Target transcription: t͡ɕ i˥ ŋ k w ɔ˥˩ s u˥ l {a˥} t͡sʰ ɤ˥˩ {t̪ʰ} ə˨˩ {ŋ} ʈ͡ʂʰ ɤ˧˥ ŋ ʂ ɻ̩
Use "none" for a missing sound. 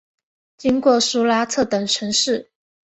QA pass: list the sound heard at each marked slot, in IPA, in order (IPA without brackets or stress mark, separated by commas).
a˥, t̪, ŋ